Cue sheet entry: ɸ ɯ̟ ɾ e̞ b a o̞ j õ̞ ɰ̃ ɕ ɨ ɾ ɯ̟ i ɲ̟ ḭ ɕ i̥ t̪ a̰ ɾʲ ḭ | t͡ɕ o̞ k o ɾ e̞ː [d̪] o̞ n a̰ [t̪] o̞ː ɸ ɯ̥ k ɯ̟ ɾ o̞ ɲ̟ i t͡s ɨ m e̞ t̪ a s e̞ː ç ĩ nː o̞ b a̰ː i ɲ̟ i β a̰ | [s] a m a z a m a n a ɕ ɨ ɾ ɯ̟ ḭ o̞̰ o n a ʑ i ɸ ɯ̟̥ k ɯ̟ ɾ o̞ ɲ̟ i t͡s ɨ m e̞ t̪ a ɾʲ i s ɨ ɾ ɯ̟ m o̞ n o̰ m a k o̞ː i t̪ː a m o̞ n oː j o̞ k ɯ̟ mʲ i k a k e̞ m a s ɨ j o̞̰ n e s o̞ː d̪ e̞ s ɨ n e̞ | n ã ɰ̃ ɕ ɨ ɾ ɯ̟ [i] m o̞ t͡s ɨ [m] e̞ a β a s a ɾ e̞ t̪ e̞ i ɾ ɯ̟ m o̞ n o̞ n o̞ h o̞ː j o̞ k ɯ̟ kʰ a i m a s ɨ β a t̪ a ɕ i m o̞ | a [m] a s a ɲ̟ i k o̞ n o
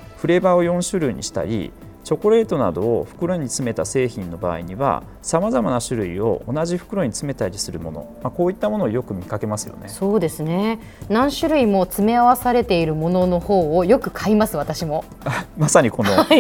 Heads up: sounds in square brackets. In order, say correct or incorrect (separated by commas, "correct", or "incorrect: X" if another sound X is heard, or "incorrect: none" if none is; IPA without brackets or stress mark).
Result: incorrect: t̪, incorrect: d̪, correct, correct, correct, correct